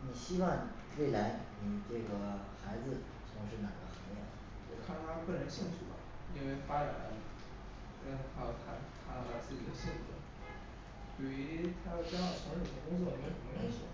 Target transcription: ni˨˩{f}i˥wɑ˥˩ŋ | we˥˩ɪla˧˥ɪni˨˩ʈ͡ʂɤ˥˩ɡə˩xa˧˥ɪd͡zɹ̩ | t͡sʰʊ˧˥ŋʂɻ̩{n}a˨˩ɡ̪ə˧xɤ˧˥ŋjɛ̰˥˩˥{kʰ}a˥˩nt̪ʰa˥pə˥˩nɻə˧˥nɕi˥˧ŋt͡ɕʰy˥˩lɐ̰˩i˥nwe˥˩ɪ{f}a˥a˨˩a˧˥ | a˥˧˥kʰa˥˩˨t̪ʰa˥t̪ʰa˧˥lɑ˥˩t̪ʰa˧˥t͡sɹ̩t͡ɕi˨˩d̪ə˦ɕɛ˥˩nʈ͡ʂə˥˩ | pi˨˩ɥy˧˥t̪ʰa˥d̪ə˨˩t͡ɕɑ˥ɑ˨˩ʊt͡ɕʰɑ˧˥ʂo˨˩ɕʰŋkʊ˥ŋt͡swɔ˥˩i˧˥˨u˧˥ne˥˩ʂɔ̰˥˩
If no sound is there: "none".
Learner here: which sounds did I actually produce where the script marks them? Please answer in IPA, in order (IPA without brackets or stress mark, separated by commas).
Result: ɕ, n, kʰ, f